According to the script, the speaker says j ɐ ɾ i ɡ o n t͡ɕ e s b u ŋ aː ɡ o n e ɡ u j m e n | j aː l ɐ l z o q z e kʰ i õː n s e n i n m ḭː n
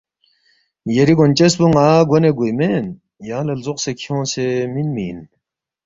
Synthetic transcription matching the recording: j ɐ ɾ i ɡ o n t͡ɕ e s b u ŋ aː ɡ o n e ɡ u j m e n | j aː l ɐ l z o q s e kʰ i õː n s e m i n m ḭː n